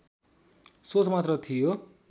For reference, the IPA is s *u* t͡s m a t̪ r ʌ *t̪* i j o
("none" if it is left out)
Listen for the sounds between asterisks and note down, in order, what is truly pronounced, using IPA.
o, t̪ʰ

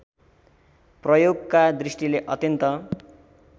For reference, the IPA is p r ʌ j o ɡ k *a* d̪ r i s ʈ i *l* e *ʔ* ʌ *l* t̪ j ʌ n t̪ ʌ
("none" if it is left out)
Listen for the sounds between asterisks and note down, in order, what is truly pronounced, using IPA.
a, l, ʔ, none

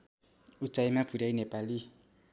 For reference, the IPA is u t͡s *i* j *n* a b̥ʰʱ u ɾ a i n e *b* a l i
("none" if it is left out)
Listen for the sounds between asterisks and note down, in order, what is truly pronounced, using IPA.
a, m, p

